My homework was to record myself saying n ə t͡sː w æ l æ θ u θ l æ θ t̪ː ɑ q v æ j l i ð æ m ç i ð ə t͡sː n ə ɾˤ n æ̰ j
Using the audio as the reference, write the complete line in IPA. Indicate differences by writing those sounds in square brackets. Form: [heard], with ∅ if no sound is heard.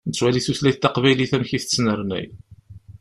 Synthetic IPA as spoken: n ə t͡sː w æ l [i] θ u θ l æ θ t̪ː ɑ q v æ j l i [θ] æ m ç i [θ] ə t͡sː n ə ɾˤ n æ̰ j